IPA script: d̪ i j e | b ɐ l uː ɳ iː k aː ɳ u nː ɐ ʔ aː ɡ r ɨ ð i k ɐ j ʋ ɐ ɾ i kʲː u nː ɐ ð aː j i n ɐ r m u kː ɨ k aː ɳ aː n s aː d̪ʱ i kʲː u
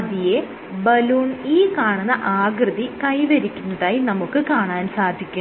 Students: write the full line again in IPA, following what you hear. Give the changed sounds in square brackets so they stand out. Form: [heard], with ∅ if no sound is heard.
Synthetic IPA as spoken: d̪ i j e | b ɐ l uː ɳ iː k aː ɳ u nː ɐ ʔ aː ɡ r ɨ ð i k ɐ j ʋ ɐ ɾ i kʲː u nː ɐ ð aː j i n ɐ [∅] m u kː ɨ k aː ɳ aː n s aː d̪ʱ i kʲː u